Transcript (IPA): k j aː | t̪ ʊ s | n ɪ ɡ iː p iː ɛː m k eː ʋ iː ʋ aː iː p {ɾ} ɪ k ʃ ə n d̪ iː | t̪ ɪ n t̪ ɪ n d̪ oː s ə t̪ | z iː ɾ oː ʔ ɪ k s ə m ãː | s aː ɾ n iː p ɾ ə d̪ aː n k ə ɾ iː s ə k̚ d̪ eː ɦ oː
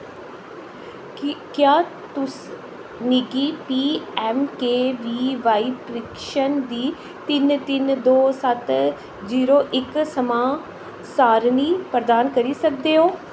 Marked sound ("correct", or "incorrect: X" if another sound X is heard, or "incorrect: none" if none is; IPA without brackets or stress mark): correct